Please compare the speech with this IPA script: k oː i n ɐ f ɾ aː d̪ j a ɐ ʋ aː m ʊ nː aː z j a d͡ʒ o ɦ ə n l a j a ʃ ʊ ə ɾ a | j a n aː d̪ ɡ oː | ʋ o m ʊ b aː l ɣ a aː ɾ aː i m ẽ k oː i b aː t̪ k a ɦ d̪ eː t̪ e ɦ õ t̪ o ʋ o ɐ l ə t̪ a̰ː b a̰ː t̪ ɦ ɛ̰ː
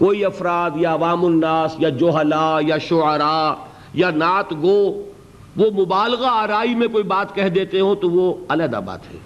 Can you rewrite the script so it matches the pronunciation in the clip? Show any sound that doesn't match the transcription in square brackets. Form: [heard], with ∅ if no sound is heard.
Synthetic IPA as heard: k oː i [∅] ɐ f ɾ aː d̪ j a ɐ ʋ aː m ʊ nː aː [s] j a d͡ʒ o ɦ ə [∅] l a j a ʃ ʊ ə ɾ a | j a n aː [t̪] ɡ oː | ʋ o m ʊ b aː l ɣ a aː ɾ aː i m ẽ k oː i b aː t̪ k [ɛ] ɦ d̪ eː t̪ e ɦ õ t̪ o ʋ o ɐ l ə [d̪] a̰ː b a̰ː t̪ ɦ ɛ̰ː